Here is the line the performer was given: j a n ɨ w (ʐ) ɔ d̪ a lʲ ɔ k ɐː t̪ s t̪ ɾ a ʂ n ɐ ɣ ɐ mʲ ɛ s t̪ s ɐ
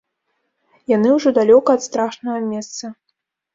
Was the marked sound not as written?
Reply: no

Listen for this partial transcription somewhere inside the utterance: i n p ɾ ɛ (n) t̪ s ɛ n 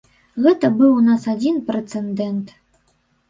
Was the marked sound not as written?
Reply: yes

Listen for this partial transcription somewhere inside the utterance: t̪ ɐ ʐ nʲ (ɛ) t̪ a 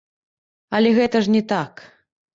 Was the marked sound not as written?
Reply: no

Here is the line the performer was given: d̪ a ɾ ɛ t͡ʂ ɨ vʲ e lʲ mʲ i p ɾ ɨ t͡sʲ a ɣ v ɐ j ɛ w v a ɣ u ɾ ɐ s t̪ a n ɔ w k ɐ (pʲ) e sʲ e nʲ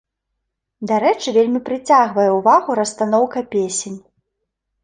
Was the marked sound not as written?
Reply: no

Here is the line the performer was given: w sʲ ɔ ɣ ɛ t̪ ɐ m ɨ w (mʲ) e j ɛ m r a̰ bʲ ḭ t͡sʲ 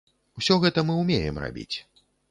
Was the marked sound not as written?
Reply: no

